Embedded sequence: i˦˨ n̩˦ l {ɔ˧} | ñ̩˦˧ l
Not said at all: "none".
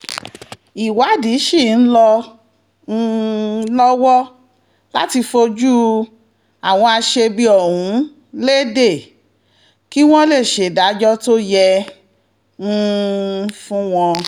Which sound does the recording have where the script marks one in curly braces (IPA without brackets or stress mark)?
ɔ˧